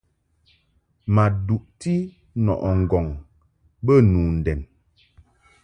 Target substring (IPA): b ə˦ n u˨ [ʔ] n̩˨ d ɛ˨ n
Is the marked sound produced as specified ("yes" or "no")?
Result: no